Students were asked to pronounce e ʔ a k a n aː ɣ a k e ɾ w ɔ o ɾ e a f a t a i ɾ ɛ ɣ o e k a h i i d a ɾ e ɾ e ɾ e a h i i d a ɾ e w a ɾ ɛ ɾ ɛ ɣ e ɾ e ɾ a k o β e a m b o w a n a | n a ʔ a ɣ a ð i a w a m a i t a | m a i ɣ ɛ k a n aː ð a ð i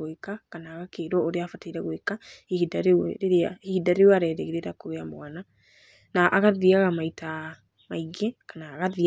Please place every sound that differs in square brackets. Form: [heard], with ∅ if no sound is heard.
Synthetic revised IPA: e [k] a k a n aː ɣ a k e ɾ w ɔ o ɾ e a f a t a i ɾ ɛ ɣ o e k a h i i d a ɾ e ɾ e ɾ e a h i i d a ɾ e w a ɾ ɛ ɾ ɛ ɣ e ɾ e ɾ a k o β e a m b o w a n a | n a ʔ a ɣ a ð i a [ɣ] a m a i t a | m a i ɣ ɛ k a n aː [ɣ] a ð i